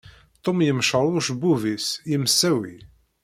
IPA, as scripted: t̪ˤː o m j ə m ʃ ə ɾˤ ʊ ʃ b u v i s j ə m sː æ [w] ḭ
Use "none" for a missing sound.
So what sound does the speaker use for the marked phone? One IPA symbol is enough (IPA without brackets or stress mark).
w